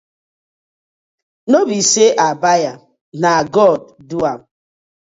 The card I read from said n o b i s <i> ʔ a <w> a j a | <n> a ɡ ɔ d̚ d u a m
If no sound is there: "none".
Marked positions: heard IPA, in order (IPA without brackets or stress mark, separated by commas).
e, b, n